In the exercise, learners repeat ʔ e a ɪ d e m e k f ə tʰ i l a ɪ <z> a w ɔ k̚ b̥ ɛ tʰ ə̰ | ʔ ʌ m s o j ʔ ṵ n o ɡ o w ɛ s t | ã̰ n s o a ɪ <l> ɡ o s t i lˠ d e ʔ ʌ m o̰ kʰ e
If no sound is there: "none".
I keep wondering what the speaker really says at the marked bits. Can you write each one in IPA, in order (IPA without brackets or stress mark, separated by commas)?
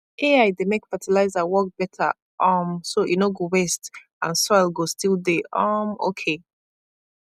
z, l